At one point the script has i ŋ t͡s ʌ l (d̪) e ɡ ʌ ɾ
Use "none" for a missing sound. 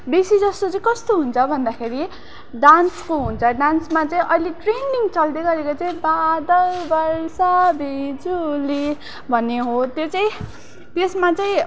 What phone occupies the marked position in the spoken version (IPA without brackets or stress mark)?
d̪